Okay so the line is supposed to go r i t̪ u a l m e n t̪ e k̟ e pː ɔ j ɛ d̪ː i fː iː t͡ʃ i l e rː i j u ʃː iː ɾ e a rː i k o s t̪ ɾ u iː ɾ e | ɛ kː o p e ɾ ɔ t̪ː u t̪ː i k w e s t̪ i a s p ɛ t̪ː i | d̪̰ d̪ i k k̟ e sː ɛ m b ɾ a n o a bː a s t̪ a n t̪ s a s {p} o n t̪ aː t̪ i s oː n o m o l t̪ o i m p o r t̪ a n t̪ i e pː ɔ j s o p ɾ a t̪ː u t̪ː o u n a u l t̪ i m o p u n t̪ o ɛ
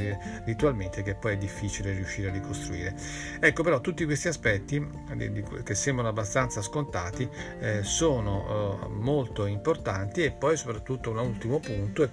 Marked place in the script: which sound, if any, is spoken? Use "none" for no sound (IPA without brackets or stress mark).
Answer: k